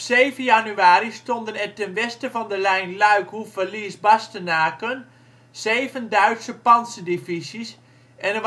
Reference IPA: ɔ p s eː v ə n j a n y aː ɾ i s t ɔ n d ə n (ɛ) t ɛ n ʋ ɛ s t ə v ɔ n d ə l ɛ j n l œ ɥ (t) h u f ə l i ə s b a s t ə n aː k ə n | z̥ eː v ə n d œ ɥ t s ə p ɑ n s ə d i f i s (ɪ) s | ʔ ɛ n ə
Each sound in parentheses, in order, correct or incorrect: correct, incorrect: k, incorrect: i

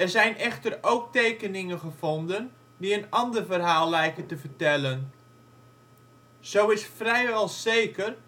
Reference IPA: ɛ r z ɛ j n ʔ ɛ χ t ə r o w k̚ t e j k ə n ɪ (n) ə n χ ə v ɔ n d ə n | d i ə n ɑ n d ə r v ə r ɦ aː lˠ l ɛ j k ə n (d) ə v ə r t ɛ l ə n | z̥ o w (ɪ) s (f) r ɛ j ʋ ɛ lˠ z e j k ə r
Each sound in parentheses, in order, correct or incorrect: incorrect: ŋ, incorrect: t, correct, correct

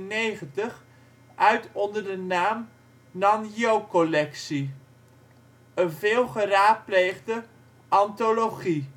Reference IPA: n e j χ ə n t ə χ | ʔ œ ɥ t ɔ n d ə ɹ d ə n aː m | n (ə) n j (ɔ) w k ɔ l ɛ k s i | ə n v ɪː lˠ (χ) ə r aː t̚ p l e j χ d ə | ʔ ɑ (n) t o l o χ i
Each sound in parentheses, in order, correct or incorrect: incorrect: ɑ, incorrect: o, correct, correct

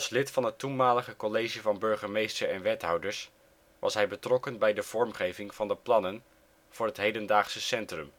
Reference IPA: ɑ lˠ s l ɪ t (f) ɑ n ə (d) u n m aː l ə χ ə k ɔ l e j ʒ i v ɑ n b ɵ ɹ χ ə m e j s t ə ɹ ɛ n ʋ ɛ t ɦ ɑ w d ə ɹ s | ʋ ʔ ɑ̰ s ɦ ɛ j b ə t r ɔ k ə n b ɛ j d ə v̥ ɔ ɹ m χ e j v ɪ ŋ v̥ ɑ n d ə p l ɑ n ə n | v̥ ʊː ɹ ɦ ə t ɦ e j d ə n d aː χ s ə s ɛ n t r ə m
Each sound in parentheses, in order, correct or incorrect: correct, incorrect: t

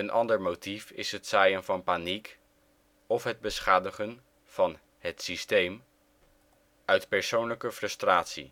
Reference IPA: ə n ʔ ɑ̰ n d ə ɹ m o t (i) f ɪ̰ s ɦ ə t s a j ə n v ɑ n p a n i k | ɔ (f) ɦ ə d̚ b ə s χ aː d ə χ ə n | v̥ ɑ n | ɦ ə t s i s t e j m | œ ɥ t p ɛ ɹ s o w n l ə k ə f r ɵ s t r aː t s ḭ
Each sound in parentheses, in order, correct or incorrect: correct, correct

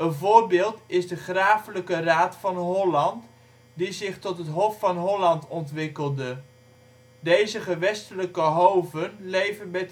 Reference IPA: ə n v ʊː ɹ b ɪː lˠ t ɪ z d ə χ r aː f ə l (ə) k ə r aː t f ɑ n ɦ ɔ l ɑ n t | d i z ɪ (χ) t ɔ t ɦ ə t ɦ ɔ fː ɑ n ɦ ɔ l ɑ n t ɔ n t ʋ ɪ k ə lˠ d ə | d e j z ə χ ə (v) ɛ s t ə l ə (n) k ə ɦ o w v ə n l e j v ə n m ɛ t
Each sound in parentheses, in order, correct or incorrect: correct, correct, incorrect: ʋ, incorrect: none

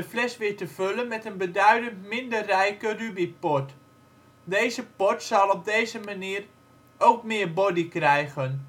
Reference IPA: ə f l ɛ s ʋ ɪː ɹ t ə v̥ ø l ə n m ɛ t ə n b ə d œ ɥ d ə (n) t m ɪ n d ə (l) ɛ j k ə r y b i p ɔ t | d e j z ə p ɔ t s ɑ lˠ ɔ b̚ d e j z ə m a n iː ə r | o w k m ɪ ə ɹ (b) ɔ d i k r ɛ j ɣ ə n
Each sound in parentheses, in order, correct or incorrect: correct, incorrect: r, correct

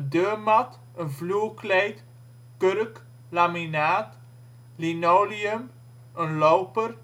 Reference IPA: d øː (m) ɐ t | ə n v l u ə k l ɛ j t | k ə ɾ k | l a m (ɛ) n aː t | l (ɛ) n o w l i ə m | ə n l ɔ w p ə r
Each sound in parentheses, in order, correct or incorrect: correct, incorrect: i, incorrect: i

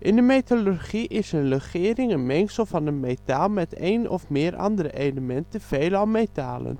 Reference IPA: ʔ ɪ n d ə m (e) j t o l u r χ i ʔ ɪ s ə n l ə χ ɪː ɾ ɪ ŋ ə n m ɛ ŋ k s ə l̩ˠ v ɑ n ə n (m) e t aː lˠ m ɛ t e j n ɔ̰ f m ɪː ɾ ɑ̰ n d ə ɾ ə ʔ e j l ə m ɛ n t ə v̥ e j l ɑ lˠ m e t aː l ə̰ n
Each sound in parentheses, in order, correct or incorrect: correct, correct

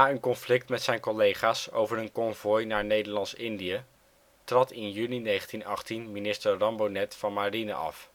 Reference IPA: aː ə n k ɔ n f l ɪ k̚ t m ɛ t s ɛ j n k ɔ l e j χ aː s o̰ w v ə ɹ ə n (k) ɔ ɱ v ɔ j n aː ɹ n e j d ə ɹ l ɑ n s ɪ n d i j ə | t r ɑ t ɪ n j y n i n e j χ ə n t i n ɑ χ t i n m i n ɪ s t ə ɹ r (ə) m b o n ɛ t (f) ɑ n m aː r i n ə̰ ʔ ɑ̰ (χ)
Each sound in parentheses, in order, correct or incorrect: correct, incorrect: ɑ, correct, incorrect: f

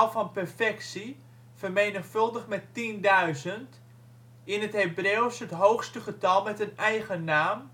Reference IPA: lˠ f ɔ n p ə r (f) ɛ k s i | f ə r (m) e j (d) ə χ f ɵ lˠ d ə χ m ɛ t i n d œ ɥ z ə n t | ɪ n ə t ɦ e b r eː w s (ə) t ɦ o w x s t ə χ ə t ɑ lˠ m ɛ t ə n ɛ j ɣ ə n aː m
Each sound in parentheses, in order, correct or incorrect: correct, correct, incorrect: n, correct

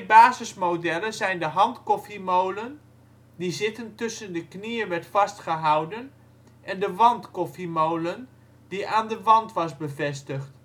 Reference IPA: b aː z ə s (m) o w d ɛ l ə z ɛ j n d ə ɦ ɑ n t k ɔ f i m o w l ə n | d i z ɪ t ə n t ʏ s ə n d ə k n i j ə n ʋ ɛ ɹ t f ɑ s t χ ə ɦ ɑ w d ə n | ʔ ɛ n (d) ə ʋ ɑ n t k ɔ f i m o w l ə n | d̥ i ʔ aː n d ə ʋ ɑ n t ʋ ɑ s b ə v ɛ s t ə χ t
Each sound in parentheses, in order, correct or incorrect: correct, correct

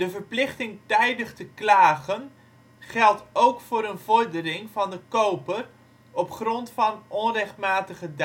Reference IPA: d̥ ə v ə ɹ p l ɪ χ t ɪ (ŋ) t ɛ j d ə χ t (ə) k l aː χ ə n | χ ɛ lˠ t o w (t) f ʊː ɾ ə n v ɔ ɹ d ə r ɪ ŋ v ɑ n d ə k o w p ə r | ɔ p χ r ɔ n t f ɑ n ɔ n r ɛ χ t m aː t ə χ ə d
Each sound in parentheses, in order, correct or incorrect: correct, correct, incorrect: k

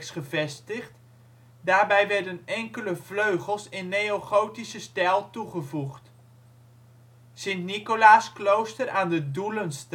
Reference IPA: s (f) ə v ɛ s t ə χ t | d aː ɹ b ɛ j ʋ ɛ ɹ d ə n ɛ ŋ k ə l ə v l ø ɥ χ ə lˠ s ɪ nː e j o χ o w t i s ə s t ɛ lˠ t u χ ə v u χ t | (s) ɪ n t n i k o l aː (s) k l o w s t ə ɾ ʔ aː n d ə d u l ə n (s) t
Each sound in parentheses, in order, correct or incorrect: incorrect: χ, correct, correct, correct

